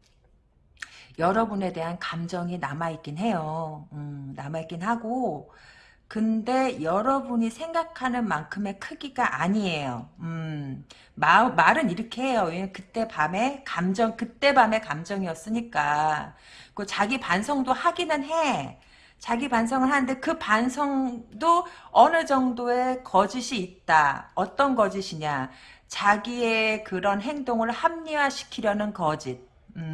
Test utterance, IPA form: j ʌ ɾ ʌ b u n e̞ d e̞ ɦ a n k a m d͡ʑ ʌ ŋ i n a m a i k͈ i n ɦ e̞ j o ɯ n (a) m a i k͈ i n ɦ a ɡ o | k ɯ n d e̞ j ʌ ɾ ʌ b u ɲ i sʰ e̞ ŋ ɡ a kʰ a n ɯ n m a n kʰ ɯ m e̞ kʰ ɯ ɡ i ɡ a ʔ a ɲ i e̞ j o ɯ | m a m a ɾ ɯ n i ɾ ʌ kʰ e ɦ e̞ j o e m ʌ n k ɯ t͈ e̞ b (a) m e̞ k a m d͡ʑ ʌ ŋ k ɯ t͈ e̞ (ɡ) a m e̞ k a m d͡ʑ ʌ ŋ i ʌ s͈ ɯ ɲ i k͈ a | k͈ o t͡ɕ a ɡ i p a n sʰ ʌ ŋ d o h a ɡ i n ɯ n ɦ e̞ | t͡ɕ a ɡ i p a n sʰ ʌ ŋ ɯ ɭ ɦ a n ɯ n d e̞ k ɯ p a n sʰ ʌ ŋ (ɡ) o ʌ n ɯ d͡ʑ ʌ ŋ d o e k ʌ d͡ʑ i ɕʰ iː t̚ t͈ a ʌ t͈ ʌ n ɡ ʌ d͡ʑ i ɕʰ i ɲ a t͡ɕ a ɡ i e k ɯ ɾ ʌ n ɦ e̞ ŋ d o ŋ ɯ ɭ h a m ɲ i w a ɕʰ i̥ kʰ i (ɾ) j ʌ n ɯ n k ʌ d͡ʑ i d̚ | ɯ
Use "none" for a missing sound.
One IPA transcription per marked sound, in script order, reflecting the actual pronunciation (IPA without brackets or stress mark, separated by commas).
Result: a, a, b, d, ɾ